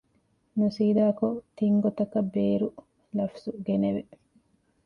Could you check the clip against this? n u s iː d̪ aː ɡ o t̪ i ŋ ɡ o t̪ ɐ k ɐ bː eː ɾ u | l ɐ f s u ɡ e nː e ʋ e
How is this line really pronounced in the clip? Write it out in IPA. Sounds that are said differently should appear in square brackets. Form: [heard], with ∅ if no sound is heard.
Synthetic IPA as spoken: n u s iː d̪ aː [k] o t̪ i ŋ ɡ o t̪ ɐ k ɐ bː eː ɾ u | l ɐ f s u ɡ e [n] e ʋ e